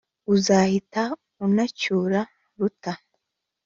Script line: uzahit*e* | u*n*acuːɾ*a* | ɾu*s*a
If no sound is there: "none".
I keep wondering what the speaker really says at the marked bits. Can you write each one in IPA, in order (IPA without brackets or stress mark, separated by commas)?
a, n, a, t